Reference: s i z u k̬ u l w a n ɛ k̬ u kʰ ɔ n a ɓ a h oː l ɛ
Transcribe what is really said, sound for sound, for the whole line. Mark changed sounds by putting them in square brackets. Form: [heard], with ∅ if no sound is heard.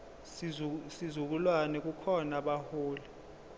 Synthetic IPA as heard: s i z u k̬ u l w a n ɛ k̬ u kʰ ɔ n a ɓ a h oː l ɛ